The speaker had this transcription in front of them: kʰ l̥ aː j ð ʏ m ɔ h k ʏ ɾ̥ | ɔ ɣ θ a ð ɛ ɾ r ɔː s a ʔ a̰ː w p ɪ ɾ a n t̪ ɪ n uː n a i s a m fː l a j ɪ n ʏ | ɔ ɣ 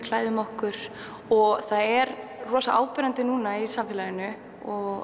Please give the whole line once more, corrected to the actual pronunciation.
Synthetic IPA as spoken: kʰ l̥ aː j ð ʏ m ɔ h k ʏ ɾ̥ | ɔ ɣ θ a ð ɛ ɾ r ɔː s a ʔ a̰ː w p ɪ ɾ a n t̪ ɪ n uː n a i s a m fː l a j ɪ n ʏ | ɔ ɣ